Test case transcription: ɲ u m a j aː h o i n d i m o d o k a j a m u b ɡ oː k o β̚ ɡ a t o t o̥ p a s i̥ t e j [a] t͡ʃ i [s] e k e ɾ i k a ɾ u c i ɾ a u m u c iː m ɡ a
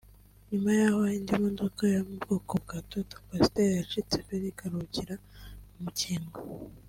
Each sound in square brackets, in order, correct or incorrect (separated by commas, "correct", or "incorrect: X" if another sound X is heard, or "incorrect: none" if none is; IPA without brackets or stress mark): correct, incorrect: t͡s